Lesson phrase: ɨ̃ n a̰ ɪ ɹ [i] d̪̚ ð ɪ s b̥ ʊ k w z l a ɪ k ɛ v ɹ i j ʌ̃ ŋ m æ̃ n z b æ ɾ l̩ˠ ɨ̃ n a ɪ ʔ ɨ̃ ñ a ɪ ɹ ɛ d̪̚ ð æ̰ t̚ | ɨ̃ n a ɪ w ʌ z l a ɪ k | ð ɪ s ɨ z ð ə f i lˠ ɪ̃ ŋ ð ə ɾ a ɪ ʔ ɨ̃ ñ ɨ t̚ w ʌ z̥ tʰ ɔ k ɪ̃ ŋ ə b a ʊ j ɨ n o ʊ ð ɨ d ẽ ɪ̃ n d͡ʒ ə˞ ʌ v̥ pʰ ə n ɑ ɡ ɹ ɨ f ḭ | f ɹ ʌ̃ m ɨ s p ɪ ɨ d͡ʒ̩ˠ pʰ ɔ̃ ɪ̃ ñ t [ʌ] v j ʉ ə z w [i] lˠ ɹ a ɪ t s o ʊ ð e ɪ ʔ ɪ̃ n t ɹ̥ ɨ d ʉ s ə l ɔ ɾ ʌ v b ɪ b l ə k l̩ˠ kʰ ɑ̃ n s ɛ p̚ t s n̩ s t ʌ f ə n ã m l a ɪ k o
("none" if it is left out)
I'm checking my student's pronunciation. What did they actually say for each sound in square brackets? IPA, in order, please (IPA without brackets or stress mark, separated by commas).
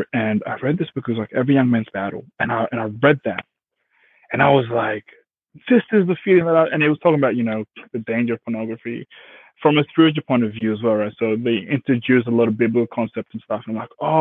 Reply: ɛ, ʌ, ɛ